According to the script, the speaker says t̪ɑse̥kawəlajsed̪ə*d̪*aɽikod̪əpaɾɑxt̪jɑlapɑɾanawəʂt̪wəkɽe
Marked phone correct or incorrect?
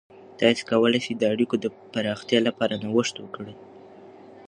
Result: incorrect